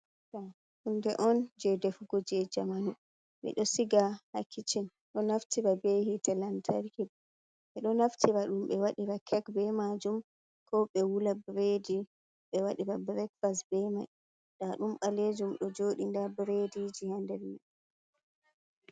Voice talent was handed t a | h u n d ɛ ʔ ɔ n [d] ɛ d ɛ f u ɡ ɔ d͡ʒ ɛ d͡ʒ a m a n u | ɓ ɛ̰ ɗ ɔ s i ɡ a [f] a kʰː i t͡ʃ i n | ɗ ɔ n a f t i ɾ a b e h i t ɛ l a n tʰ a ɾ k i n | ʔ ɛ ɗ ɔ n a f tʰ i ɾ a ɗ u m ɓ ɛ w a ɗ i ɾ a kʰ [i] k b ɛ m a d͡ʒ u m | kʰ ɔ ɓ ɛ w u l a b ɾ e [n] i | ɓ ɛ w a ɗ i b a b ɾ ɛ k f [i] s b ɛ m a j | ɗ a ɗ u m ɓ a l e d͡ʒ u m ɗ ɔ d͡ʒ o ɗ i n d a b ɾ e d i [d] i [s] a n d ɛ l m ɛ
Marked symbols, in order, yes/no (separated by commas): no, no, no, no, no, no, no